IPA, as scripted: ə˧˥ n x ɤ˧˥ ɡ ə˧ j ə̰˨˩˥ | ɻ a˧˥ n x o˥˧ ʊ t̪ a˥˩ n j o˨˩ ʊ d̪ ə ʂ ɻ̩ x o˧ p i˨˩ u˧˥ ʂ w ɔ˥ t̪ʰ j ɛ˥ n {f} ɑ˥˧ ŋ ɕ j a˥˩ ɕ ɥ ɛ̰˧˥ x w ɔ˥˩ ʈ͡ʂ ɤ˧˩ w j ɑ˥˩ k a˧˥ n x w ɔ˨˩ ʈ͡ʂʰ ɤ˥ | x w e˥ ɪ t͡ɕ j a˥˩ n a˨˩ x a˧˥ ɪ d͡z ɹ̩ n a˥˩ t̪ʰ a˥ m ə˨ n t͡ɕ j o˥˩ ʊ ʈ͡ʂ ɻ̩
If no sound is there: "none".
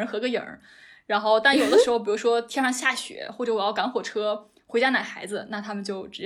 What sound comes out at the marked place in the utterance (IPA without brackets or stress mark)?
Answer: ʂ